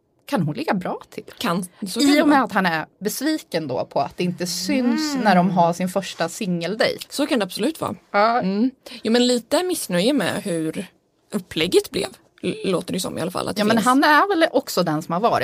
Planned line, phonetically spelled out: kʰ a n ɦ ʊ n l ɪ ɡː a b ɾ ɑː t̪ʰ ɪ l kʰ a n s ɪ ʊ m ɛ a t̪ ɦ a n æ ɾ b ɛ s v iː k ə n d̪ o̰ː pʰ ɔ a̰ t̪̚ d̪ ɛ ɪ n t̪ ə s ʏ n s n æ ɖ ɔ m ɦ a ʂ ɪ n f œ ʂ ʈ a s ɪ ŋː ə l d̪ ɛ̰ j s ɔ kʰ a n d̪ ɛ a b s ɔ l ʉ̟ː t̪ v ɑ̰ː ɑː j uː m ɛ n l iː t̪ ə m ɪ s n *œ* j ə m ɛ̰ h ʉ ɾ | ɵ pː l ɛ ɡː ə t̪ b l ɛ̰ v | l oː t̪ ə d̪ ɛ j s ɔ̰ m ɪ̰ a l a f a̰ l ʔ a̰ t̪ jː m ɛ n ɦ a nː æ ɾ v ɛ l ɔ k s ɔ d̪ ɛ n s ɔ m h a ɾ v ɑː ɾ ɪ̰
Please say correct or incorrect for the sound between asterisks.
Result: correct